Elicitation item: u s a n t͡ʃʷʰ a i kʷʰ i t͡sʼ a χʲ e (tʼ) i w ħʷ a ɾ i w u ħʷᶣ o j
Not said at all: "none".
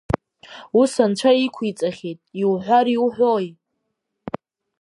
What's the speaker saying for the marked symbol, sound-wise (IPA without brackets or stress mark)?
tʼ